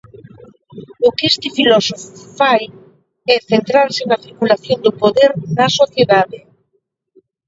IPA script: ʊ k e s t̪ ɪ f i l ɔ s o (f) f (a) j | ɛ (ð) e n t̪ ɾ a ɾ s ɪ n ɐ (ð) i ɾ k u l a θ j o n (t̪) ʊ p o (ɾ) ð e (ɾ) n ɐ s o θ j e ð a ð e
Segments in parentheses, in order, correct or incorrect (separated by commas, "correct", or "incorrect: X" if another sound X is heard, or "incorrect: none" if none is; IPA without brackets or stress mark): correct, correct, incorrect: θ, incorrect: θ, incorrect: d̪, incorrect: none, correct